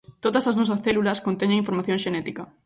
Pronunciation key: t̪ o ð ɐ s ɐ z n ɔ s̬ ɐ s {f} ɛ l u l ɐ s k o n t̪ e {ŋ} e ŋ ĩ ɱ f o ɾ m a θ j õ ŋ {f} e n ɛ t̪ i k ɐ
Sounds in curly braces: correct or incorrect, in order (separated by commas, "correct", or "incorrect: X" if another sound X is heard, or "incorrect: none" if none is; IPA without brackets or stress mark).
incorrect: θ, incorrect: ɲ, incorrect: ʃ